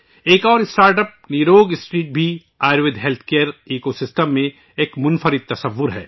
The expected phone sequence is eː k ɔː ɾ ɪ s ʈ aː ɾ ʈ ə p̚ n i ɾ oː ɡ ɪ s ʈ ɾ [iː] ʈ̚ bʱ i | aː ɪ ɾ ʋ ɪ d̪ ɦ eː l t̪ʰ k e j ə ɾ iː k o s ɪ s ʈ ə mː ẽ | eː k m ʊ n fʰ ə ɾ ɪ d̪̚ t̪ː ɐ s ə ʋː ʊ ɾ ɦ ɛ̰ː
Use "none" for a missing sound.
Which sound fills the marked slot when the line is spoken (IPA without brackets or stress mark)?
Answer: iː